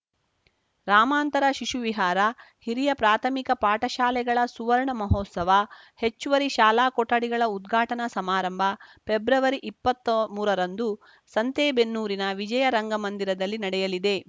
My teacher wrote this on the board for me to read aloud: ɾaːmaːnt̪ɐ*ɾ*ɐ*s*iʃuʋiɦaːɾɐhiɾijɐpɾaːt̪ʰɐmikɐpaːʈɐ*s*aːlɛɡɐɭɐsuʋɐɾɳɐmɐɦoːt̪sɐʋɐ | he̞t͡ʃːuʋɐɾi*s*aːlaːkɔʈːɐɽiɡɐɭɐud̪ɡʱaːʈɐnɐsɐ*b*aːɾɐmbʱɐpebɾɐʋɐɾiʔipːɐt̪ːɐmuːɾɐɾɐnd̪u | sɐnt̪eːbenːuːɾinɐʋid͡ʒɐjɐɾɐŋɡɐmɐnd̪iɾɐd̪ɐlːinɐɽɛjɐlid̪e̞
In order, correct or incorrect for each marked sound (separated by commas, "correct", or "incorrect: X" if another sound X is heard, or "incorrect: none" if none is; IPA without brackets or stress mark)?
correct, incorrect: ʃ, incorrect: ʃ, incorrect: ʃ, incorrect: m